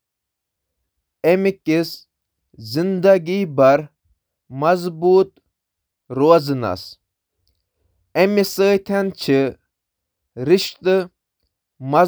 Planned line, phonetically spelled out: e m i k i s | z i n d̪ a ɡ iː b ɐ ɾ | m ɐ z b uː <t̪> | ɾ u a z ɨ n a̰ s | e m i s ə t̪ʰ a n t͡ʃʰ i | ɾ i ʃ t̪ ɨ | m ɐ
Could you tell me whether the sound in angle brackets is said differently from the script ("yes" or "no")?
no